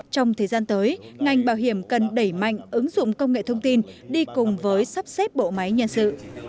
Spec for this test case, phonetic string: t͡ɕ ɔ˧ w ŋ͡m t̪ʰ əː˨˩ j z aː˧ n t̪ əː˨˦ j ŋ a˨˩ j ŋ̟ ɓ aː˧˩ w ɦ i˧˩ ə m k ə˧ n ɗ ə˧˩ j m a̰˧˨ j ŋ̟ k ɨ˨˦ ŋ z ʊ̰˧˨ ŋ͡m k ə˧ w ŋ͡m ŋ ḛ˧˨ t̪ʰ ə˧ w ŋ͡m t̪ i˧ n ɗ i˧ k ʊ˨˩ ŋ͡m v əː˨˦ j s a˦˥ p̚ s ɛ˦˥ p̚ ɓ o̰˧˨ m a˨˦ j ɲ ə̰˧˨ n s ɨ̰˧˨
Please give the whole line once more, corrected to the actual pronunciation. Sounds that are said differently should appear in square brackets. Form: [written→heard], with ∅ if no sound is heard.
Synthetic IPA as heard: t͡ɕ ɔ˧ w ŋ͡m t̪ʰ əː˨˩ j z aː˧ n t̪ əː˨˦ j ŋ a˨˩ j ŋ̟ ɓ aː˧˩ w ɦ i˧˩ ə m k [ə˧→ə˨˩] n ɗ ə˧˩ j m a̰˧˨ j ŋ̟ [k→ʔ] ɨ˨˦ ŋ z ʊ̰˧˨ ŋ͡m k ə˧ w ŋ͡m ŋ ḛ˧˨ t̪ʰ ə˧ w ŋ͡m t̪ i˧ n ɗ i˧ k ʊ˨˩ ŋ͡m v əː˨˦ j s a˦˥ p̚ s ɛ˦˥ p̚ ɓ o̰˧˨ m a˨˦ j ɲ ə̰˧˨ n s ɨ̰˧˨